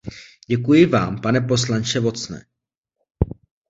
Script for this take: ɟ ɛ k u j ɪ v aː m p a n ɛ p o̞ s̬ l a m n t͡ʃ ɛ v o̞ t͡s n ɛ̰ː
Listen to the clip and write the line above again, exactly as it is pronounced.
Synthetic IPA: ɟ ɛ k u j ɪ v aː m p a n ɛ p o̞ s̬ l a n t͡ʃ ɛ v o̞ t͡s n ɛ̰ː

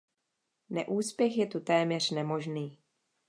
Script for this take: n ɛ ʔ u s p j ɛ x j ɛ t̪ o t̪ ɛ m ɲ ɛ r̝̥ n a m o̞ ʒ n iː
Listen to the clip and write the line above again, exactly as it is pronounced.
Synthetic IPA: n ɛ ʔ uː s p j ɛ x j ɛ t̪ u t̪ ɛː m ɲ ɛ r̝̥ n ɛ m o̞ ʒ n iː

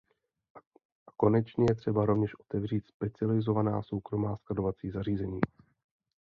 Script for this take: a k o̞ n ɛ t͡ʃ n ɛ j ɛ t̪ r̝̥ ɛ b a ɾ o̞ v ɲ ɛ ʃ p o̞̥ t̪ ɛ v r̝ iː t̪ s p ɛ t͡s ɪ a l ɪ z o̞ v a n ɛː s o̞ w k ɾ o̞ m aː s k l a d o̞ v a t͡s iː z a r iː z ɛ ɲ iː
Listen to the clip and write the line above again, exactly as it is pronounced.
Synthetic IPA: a k o̞ n ɛ t͡ʃ ɲ ɛ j ɛ t̪ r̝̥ ɛ b a ɾ o̞ v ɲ ɛ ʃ ʔ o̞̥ t̪ ɛ v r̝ iː t̪ s p ɛ t͡s ɪ a l ɪ z o̞ v a n aː s o̞ w k ɾ o̞ m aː s k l a d o̞ v a t͡s iː z a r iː z ɛ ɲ iː

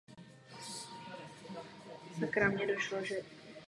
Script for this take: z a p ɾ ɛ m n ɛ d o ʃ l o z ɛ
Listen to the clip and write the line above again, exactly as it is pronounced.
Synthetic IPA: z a k ɾ a m ɲ ɛ d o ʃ l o ʒ ɛ

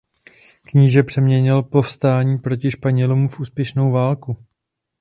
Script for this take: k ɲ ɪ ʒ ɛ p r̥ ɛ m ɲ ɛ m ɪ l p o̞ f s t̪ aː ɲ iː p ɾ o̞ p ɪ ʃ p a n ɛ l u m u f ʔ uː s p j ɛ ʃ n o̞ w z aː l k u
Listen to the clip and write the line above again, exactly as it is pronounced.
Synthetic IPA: k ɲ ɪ ʒ ɛ p r̥ ɛ m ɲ ɛ ɲ ɪ l p o̞ f s t̪ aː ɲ iː p ɾ o̞ c ɪ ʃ p a ɲ ɛ l u m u f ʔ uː s p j ɛ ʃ n o̞ w v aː l k u

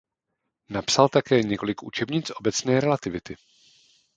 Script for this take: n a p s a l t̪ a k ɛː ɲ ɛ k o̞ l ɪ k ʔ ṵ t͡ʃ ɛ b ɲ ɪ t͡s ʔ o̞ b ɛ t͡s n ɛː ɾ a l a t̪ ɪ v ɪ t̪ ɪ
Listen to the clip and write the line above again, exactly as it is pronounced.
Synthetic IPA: n a p s a l t̪ a k ɛː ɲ ɛ k o̞ l ɪ k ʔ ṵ t͡ʃ ɛ b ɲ ɪ t͡s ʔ o̞ b ɛ t͡s n ɛː ɾ ɛ l a t̪ ɪ v ɪ t̪ ɪ

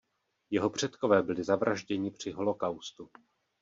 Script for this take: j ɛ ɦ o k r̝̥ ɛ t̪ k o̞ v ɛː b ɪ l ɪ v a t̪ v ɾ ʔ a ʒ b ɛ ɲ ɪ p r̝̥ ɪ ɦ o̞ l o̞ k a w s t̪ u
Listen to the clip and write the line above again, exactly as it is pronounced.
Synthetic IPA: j ɛ ɦ o p r̝̥ ɛ t̪ k o̞ v ɛː b ɪ l ɪ z a v ɾ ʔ a ʒ ɟ ɛ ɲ ɪ p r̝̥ ɪ ɦ o̞ l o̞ k a w s t̪ u

